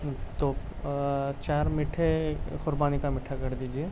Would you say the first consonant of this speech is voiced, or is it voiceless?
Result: voiceless